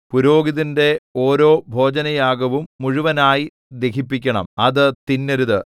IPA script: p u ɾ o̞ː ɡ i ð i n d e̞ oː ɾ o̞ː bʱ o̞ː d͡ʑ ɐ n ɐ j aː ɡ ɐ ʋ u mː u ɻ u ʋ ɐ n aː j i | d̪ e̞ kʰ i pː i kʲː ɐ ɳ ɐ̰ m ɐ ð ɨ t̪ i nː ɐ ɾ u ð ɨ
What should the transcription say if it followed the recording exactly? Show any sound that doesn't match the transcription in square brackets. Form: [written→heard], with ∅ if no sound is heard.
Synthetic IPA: p u ɾ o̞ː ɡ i ð i n d e̞ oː ɾ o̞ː bʱ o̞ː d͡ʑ ɐ n ɐ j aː ɡ ɐ ʋ u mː u ɻ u ʋ ɐ n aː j i | d̪ e̞ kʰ i pː i kʲː ɐ ɳ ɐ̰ m ɐ ð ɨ t̪ i nː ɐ ɾ u ð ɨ

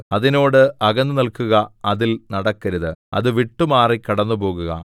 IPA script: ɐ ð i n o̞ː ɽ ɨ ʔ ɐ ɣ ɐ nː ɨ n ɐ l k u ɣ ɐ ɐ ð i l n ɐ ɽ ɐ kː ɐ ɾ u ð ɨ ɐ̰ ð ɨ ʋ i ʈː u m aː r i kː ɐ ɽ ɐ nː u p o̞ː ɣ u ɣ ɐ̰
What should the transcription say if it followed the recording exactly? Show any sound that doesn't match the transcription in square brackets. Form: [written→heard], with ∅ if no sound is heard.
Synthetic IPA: ɐ ð i n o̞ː ɽ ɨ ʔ ɐ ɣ ɐ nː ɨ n ɐ l k u ɣ ɐ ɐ ð i l n ɐ ɽ ɐ kː ɐ ɾ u ð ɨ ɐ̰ ð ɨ ʋ i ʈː u m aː r i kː ɐ ɽ ɐ nː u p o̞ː ɣ u ɣ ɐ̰

